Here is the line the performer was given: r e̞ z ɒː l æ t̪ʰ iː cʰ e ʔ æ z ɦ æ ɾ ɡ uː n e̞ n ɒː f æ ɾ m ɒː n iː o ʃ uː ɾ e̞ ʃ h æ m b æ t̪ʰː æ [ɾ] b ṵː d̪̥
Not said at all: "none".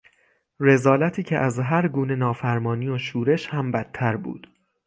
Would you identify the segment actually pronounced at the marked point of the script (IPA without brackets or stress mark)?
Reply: ɾ